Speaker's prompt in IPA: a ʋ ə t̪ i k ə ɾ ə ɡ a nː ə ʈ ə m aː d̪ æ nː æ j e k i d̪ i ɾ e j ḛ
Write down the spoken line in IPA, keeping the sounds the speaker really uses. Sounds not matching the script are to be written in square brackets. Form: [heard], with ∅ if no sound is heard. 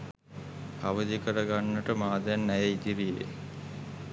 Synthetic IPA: a ʋ ə [d̪] i k ə ɾ ə ɡ a nː ə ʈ ə m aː d̪ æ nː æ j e [∅] i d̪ i ɾ [i] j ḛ